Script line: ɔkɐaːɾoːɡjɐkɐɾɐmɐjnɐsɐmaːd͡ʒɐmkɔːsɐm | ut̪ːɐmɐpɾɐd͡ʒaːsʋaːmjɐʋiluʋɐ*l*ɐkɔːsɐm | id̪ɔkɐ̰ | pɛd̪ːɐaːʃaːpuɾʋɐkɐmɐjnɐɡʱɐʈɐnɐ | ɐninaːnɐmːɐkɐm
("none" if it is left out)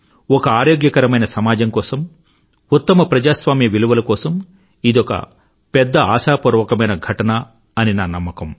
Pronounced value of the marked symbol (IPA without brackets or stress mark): l